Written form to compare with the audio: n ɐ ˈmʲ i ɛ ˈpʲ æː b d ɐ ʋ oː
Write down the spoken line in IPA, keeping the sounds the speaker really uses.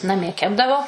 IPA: n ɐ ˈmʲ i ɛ ˈkʲ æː b d ɐ ʋ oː